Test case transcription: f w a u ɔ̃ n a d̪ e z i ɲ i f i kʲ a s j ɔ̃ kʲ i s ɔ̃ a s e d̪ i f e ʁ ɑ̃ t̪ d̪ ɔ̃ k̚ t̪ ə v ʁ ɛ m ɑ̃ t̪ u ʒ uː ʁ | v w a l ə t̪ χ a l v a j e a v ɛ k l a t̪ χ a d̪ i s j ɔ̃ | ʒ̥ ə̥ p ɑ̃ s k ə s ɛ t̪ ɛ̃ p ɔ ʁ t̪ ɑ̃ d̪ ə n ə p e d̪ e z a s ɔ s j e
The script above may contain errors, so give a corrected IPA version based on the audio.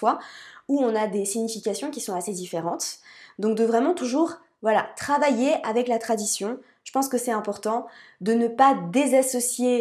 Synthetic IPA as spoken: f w a u ɔ̃ n a d̪ e s i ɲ i f i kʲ a s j ɔ̃ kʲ i s ɔ̃ a s e d̪ i f e ʁ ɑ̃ t̪ d̪ ɔ̃ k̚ d̪ ə v ʁ ɛ m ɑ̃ t̪ u ʒ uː ʁ | v w a l a t̪ χ a v a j e a v ɛ k l a t̪ χ a d̪ i s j ɔ̃ | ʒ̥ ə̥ p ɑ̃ s k ə s ɛ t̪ ɛ̃ p ɔ ʁ t̪ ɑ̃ d̪ ə n ə p a d̪ e z a s ɔ s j e